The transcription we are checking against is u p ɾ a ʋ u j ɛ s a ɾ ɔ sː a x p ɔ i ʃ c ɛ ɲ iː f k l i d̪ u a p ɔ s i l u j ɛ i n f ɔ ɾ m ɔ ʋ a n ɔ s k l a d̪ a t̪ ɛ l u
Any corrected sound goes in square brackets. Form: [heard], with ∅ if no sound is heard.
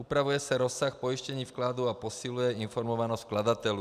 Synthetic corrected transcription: u p ɾ a ʋ u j ɛ s a ɾ ɔ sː a x p ɔ i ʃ c ɛ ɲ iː f k l [a] d̪ u a p ɔ s i l u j ɛ i n f ɔ ɾ m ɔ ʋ a n ɔ s k l a d̪ a t̪ ɛ l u